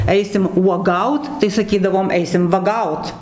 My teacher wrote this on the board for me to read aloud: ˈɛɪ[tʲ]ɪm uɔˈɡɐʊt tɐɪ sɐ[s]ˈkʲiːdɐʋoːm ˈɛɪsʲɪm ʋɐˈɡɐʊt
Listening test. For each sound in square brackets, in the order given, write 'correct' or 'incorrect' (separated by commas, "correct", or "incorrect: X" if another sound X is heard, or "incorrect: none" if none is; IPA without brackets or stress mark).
incorrect: sʲ, incorrect: none